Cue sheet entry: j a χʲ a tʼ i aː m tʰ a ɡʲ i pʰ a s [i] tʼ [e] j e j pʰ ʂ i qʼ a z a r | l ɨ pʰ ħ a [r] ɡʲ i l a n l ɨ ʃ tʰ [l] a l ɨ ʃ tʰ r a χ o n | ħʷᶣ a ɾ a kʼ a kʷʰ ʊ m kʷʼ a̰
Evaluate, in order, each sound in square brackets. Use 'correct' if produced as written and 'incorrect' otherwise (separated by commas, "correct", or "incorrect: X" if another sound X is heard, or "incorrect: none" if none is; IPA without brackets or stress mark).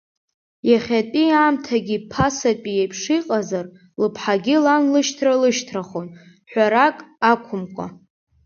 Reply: incorrect: a, incorrect: i, incorrect: none, incorrect: r